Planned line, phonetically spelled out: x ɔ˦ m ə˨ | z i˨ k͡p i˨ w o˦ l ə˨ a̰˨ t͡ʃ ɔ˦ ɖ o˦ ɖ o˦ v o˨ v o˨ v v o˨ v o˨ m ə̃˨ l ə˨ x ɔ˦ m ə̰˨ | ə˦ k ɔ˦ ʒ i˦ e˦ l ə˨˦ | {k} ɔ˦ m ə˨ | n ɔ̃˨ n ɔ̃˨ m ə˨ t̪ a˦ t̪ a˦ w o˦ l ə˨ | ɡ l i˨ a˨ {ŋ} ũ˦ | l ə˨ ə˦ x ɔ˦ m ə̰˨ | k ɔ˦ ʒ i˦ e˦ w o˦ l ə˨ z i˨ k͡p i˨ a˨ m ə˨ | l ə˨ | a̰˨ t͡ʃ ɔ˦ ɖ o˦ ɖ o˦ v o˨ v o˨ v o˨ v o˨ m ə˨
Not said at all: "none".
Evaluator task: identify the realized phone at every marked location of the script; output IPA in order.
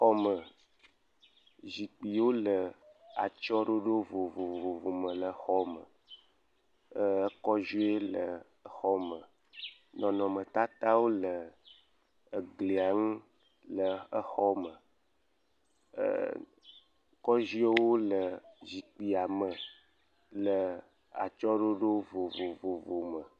x, ŋ

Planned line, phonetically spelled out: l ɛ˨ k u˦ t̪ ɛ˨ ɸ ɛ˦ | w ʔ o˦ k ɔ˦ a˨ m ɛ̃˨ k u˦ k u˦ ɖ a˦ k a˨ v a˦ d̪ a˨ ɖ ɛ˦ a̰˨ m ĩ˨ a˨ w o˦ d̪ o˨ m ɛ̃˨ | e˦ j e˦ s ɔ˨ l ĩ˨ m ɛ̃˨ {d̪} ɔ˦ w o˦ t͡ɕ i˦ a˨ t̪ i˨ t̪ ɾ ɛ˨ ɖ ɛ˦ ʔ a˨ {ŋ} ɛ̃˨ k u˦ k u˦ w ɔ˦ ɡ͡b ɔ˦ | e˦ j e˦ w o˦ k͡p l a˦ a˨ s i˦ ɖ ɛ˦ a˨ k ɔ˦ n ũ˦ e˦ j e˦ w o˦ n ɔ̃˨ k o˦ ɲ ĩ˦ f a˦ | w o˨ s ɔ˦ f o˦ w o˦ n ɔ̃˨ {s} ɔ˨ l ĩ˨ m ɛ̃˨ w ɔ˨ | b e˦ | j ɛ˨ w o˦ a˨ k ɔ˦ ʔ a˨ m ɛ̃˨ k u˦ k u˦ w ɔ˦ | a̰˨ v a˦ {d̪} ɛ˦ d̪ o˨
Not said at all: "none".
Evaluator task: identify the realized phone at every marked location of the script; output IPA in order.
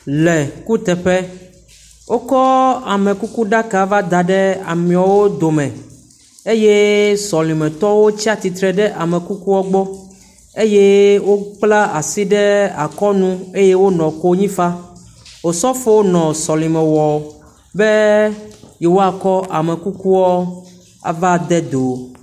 t̪, m, s, d̪

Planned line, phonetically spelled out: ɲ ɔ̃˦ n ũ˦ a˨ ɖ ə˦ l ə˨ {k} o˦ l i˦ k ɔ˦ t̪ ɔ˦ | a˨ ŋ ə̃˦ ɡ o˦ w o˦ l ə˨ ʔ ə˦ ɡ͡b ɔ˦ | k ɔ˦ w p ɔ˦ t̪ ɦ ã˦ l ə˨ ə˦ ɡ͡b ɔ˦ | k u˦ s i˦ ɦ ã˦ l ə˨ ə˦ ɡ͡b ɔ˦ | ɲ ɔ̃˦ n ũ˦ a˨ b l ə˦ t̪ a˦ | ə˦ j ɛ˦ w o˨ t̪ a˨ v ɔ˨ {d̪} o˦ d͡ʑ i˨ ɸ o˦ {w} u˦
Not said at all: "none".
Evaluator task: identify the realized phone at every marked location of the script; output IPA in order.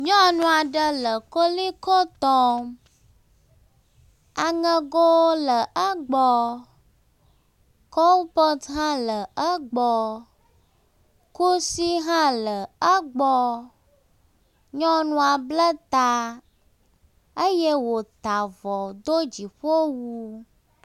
k, d̪, w

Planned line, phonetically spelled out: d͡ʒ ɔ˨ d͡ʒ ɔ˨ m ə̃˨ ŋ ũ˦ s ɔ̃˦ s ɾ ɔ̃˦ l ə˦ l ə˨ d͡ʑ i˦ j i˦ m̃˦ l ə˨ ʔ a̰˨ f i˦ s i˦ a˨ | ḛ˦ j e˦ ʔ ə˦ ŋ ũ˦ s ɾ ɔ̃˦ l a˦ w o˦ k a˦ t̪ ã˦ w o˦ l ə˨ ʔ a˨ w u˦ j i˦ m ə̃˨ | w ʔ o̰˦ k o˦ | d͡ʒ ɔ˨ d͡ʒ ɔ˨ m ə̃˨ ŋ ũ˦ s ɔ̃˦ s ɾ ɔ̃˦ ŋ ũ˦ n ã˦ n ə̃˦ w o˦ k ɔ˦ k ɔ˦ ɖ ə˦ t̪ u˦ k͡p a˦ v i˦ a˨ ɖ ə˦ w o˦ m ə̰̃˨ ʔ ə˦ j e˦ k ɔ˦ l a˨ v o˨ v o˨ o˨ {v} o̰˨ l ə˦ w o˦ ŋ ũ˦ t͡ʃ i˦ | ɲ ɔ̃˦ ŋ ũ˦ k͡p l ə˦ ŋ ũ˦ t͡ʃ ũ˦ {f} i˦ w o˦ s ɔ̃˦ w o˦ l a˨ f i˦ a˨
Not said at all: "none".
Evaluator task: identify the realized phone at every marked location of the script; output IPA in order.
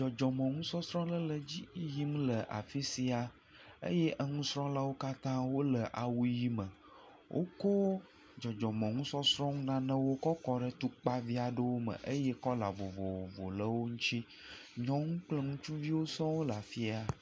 v, v

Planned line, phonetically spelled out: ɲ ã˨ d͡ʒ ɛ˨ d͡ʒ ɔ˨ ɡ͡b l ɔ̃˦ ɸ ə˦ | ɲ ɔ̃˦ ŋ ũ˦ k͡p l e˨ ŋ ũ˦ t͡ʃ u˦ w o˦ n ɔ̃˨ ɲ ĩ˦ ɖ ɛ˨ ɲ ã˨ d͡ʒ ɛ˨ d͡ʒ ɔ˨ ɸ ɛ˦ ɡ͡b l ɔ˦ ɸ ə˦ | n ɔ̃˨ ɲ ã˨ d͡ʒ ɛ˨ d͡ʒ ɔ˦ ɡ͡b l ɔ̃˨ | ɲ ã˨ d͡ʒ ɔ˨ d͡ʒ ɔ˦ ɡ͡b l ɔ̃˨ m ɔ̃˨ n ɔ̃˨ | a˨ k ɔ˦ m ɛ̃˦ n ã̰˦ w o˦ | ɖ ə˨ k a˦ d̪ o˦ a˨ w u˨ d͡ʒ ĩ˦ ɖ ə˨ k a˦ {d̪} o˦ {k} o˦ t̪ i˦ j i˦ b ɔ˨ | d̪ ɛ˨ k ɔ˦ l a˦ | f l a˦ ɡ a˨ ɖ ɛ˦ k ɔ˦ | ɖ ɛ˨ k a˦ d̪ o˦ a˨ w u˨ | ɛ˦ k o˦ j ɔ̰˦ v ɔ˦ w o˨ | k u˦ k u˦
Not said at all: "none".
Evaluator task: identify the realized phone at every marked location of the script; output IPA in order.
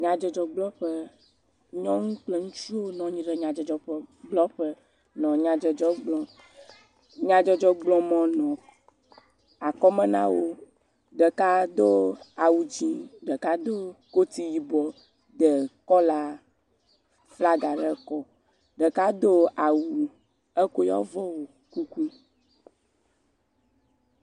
d̪, k

